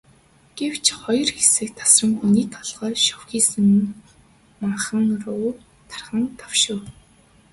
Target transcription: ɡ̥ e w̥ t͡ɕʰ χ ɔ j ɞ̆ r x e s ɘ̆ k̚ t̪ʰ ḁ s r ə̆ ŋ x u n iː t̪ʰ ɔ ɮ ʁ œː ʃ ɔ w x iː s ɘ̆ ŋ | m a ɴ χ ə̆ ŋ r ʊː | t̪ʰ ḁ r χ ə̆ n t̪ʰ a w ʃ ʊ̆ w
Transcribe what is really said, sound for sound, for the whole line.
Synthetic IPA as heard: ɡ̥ e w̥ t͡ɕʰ χ ɔ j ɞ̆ r x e s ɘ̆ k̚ t̪ʰ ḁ s r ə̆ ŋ x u n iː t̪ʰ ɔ ɮ ʁ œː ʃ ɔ w x iː s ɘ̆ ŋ | m a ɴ χ ə̆ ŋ r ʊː | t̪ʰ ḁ r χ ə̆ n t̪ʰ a w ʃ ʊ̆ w